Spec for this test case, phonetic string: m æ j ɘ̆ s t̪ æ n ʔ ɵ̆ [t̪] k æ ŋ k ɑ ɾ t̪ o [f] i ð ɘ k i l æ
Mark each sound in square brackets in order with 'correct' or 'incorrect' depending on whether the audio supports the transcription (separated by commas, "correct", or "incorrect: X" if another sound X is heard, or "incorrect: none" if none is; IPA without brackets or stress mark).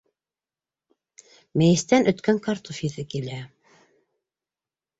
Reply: correct, correct